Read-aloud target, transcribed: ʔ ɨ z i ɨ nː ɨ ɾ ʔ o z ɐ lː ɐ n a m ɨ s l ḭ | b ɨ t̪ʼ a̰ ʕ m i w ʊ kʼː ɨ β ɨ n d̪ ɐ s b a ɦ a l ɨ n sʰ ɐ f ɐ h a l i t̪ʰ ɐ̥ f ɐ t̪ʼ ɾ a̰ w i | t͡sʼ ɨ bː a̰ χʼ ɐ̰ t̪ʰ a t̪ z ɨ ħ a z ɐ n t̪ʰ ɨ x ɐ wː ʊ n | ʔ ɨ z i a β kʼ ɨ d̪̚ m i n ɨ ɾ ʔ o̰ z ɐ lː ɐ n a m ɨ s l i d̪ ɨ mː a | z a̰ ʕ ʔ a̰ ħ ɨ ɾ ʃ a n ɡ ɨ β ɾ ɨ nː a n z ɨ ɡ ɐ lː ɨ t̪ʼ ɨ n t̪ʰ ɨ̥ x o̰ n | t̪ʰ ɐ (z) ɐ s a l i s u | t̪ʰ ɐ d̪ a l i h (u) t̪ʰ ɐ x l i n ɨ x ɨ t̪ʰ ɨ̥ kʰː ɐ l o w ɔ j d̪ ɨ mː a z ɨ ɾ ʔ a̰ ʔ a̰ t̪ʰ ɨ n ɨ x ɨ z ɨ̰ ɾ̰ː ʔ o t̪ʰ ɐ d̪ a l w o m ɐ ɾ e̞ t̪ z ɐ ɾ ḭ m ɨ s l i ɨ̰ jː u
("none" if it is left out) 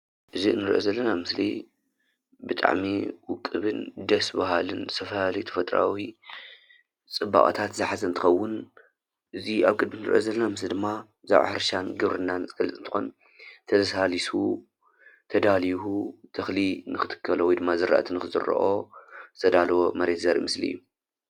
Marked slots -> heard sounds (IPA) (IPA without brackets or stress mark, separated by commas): z, u